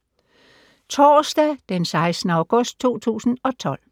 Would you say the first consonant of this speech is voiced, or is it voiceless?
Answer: voiceless